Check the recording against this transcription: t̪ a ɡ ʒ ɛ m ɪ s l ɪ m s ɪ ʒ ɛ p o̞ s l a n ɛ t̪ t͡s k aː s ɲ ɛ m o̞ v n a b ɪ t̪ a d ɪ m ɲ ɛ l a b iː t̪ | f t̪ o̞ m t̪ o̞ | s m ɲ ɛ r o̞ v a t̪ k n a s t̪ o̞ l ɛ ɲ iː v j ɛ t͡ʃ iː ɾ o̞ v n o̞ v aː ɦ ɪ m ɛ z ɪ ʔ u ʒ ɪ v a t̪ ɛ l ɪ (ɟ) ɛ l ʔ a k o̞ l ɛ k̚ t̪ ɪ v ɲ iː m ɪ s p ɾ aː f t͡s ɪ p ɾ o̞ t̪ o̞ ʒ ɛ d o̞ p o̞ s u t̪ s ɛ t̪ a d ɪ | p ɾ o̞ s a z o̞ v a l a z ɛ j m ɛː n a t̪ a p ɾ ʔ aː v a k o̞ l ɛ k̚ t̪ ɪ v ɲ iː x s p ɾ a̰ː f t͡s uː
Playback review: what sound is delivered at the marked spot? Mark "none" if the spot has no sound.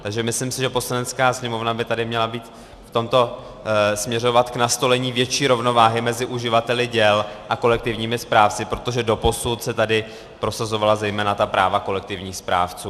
ɟ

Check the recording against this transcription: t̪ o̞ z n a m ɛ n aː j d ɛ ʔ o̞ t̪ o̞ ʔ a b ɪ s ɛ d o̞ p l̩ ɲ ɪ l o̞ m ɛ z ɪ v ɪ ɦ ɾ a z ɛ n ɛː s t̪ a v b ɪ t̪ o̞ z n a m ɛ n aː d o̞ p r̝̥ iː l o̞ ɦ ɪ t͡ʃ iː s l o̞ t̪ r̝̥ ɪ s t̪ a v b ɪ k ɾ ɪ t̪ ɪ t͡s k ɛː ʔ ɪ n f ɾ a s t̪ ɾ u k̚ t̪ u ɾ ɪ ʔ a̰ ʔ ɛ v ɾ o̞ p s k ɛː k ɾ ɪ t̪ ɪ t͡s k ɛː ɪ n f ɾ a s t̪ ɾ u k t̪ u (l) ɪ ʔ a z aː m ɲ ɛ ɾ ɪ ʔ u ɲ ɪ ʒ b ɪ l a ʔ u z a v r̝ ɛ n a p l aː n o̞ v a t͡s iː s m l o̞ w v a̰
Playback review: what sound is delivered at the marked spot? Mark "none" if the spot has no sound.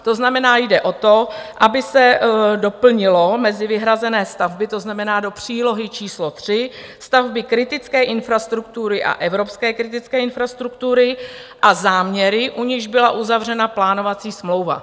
ɾ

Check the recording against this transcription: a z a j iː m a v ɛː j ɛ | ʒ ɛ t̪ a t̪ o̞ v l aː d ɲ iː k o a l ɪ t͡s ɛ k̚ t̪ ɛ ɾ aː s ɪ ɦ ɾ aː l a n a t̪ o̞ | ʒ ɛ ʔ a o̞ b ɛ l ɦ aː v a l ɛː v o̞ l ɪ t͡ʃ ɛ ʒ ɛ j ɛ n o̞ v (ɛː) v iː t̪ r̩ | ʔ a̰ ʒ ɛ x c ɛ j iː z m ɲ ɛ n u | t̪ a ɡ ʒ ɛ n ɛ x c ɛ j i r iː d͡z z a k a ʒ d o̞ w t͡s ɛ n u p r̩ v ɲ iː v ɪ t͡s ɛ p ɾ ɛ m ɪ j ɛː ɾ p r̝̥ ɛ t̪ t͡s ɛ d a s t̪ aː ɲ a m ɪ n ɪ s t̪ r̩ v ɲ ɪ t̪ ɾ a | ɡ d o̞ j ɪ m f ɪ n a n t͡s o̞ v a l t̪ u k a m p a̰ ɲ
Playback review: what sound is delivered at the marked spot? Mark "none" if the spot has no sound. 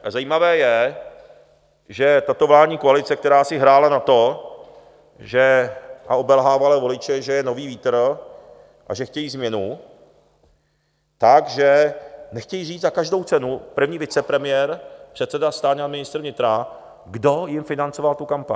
iː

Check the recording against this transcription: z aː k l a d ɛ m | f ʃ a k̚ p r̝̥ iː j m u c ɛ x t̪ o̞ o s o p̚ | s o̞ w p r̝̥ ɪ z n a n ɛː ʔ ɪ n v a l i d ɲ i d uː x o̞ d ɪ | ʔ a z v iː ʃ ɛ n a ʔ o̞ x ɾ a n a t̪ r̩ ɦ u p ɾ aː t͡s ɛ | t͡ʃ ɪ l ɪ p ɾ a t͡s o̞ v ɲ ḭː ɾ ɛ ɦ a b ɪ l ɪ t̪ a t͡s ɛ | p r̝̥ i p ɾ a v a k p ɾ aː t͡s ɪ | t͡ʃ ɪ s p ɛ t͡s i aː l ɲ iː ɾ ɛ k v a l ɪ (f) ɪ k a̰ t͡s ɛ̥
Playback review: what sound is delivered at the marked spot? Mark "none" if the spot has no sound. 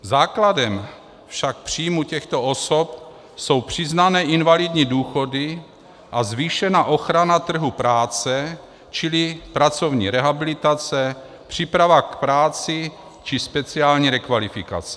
f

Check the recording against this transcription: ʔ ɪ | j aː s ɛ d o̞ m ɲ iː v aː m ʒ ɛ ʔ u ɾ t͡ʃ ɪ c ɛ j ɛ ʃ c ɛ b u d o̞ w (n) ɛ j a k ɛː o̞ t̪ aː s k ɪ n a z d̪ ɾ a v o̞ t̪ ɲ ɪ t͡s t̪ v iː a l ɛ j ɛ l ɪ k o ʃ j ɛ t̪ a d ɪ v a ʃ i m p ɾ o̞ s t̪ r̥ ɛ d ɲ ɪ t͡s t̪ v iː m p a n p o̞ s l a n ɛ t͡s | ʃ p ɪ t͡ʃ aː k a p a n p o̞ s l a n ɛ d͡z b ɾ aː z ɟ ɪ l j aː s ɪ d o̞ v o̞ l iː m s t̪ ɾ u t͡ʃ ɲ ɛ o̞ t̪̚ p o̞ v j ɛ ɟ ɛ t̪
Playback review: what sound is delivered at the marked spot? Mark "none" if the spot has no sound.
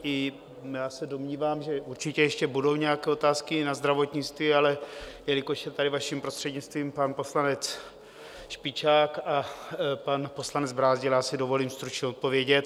ɲ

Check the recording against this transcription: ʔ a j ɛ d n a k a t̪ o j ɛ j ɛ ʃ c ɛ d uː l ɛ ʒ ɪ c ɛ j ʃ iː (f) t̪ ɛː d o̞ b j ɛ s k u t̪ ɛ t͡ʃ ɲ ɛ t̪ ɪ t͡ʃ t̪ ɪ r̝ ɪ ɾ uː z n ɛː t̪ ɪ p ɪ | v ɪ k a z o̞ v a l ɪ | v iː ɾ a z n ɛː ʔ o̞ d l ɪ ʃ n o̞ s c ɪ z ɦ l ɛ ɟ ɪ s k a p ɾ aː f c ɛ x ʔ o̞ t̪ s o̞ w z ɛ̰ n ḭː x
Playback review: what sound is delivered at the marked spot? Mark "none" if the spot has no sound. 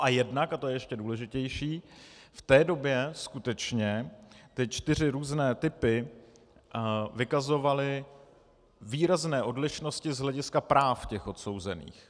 f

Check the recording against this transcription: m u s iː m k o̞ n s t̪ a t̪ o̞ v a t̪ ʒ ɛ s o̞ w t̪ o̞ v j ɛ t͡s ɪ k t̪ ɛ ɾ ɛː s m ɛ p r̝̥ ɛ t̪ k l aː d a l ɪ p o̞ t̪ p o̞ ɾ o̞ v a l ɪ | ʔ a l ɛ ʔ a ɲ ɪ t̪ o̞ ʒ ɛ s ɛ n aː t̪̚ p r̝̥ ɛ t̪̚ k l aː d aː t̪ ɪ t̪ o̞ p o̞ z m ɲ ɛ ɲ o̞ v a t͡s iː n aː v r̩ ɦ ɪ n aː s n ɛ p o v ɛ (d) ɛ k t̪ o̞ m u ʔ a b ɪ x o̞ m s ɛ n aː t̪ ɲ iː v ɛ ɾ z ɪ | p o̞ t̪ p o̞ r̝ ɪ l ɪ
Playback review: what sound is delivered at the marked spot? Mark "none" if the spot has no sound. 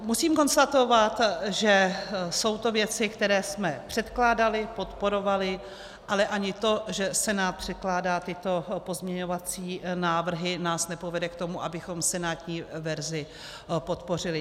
d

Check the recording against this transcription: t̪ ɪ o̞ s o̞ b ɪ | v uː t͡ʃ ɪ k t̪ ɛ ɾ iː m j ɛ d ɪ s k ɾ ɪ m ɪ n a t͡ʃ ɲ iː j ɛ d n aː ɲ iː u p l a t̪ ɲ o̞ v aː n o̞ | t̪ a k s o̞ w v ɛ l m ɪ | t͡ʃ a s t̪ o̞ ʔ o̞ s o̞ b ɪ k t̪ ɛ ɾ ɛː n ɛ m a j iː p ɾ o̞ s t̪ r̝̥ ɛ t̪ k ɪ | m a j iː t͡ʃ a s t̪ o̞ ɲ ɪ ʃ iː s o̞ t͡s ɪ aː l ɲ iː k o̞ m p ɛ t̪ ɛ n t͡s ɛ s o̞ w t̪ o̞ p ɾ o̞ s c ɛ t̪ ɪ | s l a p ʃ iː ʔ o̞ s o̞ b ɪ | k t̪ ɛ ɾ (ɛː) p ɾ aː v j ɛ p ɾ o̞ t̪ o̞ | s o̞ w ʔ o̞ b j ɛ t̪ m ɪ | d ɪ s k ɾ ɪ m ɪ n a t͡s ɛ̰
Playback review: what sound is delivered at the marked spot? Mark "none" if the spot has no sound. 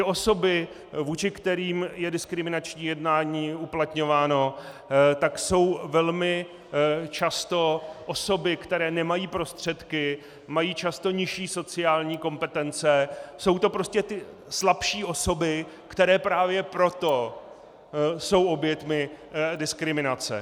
ɛː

